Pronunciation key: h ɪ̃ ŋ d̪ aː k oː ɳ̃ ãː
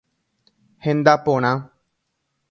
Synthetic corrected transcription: h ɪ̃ n d̪ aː p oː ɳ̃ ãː